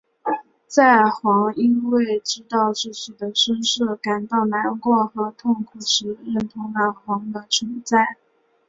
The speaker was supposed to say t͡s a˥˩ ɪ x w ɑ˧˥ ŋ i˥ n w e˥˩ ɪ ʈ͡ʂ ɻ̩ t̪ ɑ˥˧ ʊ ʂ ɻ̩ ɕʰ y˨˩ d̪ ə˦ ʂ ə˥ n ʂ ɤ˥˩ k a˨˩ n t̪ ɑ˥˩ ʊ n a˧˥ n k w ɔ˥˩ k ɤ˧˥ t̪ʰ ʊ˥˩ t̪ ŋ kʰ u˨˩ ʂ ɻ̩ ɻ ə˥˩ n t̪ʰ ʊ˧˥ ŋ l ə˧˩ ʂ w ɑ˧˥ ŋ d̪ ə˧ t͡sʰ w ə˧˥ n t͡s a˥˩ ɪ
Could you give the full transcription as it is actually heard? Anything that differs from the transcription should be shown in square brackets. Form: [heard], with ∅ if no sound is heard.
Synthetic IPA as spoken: t͡s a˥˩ ɪ x w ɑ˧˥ ŋ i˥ n w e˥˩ ɪ ʈ͡ʂ ɻ̩ t̪ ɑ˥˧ ʊ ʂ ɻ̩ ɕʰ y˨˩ d̪ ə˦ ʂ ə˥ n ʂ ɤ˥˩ k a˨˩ n t̪ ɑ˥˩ ʊ n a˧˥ n k w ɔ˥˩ [x] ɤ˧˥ t̪ʰ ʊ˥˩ [∅] ŋ kʰ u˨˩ ʂ ɻ̩ ɻ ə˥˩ n t̪ʰ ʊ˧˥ ŋ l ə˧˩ [x] w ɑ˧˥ ŋ d̪ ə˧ t͡sʰ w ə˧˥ n t͡s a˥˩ ɪ